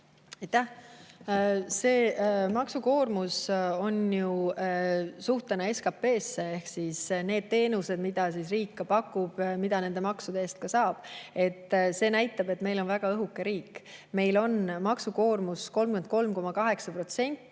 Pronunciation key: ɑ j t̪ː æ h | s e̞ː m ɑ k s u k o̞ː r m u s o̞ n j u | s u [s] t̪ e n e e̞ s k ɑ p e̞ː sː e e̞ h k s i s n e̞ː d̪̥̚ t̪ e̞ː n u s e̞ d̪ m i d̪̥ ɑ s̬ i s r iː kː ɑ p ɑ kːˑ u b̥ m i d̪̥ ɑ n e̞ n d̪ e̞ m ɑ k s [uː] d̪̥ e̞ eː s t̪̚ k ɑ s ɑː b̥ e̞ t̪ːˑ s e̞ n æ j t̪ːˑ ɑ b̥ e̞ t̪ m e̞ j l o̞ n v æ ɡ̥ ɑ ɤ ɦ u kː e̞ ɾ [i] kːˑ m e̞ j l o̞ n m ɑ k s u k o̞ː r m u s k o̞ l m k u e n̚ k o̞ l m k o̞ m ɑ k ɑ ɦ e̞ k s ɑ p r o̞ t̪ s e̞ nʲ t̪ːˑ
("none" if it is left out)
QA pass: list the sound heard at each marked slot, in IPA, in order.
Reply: h, u, iː

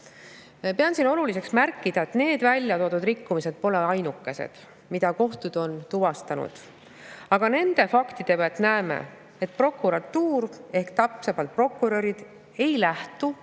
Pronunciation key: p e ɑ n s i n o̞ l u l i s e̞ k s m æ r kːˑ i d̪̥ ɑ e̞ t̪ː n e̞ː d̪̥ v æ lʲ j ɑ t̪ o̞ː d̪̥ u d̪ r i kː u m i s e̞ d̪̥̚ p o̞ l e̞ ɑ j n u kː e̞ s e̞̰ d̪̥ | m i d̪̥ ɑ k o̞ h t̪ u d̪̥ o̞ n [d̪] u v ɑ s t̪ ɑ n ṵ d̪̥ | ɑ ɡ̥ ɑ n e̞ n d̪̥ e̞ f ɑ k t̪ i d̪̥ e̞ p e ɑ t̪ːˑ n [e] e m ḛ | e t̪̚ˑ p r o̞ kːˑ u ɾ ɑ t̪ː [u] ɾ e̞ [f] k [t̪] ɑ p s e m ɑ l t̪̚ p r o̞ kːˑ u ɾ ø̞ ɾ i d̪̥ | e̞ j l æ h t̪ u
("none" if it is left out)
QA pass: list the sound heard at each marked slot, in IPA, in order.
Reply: t̪, æ, uː, h, t̪

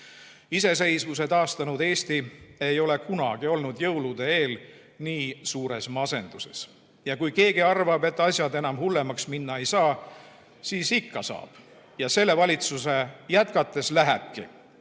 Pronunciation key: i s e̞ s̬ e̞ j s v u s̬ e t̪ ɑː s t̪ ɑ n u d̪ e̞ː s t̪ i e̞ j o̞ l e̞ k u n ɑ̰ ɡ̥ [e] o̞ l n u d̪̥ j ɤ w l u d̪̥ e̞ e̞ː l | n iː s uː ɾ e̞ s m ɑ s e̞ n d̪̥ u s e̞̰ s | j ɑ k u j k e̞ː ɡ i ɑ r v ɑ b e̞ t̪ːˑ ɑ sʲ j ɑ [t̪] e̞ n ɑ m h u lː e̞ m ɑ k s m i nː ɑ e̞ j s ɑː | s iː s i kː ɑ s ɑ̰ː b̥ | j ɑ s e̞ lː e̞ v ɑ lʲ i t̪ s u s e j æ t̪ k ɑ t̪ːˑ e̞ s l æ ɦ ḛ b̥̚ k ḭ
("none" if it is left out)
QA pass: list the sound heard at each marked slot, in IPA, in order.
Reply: i, d̪

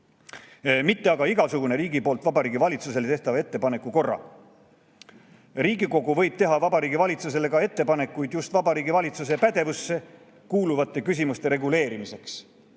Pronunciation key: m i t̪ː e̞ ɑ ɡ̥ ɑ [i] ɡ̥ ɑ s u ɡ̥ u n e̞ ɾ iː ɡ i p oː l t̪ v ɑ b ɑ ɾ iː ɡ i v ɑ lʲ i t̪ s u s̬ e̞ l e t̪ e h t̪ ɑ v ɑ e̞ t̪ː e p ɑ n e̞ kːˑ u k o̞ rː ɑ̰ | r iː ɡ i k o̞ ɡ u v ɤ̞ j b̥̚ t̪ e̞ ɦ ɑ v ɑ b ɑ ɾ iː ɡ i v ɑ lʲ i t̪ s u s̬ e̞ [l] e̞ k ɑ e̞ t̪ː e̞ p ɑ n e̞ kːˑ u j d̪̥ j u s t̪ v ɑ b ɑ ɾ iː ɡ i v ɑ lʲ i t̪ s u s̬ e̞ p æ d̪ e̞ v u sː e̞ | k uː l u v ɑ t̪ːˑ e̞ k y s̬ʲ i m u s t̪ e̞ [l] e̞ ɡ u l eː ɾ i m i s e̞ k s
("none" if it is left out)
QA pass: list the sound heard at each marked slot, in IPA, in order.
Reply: i, l, ɾ

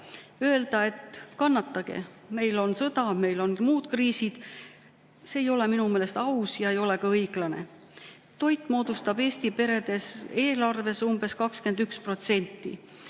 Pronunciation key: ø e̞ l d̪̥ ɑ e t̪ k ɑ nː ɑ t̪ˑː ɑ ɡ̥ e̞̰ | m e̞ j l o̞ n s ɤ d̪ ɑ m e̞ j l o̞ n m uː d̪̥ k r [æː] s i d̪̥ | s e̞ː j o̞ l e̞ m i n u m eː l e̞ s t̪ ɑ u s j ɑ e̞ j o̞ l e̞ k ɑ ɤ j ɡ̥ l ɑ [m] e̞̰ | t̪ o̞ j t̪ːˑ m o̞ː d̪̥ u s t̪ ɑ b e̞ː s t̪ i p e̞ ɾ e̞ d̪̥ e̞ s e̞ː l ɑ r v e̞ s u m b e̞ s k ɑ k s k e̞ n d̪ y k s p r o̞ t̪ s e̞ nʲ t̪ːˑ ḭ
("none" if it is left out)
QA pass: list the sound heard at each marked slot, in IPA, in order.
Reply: iː, n

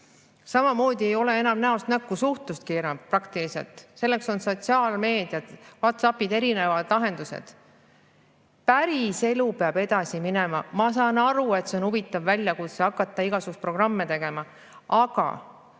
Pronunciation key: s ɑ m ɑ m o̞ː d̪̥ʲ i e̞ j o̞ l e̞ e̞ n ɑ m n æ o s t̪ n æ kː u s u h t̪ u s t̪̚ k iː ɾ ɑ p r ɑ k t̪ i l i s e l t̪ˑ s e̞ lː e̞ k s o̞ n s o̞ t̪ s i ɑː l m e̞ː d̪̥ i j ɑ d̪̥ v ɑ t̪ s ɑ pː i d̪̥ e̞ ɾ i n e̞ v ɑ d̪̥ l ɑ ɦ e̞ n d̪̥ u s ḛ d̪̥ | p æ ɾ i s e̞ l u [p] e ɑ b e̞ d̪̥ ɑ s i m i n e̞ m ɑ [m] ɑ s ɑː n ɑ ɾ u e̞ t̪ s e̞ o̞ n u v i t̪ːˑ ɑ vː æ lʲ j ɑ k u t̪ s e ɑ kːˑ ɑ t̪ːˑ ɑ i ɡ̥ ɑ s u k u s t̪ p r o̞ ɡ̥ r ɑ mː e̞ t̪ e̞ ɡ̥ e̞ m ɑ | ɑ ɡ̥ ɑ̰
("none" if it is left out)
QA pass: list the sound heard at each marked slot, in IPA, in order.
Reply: p, m

